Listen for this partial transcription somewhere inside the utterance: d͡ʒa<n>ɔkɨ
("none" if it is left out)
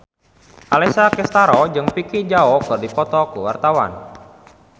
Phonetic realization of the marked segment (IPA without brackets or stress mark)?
none